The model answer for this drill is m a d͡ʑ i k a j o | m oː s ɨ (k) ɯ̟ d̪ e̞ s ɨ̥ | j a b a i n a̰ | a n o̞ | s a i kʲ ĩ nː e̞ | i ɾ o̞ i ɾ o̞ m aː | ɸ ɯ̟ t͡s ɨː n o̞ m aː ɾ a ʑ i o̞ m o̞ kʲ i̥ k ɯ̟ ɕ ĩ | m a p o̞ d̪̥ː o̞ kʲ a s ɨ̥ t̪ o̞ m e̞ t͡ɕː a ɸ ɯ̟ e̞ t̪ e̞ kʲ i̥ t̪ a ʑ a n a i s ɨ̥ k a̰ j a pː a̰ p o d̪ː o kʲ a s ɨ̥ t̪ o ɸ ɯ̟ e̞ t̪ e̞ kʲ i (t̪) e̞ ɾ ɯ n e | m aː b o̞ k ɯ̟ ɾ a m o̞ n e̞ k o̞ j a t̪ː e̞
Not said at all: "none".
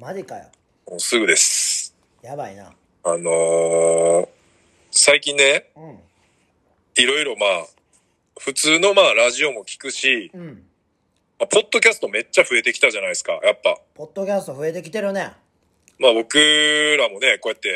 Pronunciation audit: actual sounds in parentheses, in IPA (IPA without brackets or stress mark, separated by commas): ɡ, t̪